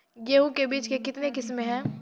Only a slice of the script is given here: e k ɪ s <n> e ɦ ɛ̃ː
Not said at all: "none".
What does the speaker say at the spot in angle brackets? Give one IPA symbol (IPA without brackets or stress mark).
m